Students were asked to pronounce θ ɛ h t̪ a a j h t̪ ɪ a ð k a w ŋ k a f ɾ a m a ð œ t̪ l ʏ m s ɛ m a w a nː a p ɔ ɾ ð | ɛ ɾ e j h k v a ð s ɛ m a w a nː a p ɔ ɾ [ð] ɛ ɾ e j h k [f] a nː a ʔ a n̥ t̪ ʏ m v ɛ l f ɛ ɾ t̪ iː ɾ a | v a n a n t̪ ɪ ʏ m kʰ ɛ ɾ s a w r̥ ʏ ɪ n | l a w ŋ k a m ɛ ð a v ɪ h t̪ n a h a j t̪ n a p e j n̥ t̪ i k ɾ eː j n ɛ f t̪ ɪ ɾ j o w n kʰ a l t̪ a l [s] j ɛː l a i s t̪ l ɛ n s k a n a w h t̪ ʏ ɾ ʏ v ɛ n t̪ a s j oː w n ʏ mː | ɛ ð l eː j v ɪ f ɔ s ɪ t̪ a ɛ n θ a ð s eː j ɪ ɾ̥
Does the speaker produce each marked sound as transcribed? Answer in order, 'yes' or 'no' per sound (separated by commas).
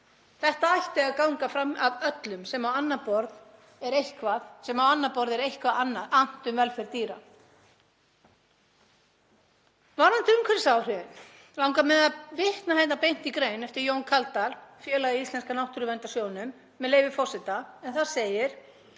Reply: yes, no, no